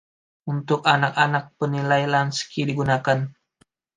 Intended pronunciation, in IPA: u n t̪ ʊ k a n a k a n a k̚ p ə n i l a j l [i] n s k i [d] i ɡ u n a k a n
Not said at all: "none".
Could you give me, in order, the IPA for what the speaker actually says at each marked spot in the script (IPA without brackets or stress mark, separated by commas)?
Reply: a, d